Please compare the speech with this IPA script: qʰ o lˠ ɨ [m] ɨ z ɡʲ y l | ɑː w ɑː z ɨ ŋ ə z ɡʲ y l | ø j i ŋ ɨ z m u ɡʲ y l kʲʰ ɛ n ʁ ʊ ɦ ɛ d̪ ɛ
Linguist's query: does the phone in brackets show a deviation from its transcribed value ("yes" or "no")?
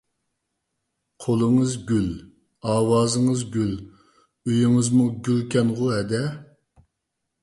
yes